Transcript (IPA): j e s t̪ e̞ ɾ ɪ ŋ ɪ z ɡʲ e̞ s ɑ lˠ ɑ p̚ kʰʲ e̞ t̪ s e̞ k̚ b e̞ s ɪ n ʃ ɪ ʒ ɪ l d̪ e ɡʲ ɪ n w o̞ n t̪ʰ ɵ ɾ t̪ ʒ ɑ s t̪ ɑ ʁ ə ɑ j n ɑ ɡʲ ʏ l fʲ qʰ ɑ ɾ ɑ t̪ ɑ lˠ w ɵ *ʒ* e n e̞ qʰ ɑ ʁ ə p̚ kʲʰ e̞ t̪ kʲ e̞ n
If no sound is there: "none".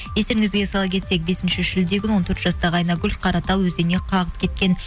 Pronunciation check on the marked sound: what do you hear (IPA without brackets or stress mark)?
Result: z